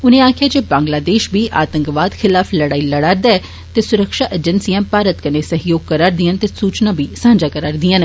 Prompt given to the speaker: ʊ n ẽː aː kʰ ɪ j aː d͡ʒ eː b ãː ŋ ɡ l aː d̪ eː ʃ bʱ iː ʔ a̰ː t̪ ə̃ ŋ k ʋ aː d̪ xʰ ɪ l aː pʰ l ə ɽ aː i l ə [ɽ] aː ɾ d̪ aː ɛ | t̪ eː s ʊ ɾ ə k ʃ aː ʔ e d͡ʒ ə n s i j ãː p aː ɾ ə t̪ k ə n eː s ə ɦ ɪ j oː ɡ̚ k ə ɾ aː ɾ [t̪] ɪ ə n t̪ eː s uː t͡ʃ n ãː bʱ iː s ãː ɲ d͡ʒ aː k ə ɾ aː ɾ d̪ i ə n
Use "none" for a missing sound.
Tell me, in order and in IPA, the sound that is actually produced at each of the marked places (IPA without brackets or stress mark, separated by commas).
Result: ɽ, d̪